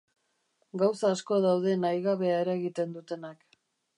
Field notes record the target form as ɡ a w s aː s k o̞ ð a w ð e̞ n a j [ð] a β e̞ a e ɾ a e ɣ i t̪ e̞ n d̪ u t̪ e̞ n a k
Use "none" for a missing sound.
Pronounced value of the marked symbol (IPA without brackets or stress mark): ɣ